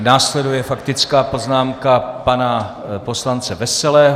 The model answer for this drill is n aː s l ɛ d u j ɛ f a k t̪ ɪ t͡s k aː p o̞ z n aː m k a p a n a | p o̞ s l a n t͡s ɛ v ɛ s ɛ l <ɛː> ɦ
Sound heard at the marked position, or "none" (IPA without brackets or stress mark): ɛː